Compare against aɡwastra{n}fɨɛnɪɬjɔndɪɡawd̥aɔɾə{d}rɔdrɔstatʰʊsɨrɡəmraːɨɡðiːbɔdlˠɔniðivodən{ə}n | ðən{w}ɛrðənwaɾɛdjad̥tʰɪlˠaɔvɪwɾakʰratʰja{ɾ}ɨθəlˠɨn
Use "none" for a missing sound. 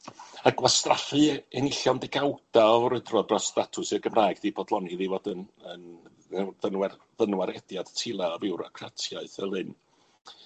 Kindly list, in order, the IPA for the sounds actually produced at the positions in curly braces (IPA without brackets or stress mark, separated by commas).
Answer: none, d, ə, w, none